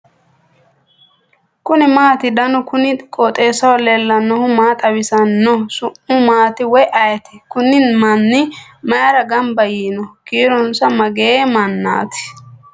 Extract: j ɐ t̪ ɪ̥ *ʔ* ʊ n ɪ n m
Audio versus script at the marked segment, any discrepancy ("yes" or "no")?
yes